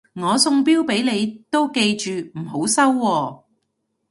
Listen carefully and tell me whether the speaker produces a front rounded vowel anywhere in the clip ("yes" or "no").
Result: yes